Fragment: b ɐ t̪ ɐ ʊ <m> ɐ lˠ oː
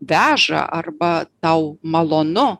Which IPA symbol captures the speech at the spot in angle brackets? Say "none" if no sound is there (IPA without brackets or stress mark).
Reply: m